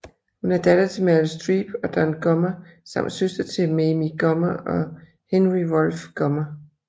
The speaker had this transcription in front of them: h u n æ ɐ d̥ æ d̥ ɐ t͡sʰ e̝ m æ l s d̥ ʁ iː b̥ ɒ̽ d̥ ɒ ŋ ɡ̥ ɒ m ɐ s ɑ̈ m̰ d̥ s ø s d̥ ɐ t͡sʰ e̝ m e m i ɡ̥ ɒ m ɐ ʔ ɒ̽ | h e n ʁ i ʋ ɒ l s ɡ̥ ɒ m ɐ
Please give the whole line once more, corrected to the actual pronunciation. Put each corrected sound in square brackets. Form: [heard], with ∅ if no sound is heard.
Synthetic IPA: h u n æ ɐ d̥ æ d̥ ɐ t͡sʰ e̝ m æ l s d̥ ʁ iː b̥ ɒ̽ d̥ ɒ [n] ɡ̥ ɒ m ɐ s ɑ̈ m̰ d̥ s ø s d̥ ɐ t͡sʰ e̝ m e m i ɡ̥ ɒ m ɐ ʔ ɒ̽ | h e n ʁ i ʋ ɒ l [f] ɡ̥ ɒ m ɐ